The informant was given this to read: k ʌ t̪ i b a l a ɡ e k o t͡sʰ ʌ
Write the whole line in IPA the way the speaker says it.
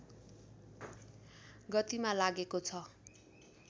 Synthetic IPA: ɡ ʌ t̪ i m a l a ɡ e k o t͡sʰ ʌ